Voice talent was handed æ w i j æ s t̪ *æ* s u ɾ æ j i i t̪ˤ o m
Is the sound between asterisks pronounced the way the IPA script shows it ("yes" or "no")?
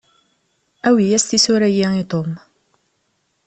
no